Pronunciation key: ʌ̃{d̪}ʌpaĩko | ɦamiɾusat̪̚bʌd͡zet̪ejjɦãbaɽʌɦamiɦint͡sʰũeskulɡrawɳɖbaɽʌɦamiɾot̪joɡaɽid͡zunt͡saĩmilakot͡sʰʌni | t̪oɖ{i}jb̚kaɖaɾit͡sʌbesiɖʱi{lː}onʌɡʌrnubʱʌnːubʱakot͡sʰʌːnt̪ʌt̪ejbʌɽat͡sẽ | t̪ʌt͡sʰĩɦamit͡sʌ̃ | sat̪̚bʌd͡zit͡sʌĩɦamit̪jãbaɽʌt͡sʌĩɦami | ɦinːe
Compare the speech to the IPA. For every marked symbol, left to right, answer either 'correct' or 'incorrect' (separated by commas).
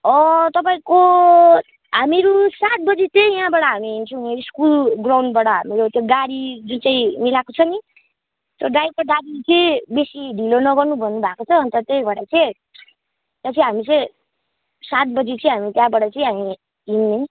incorrect, incorrect, incorrect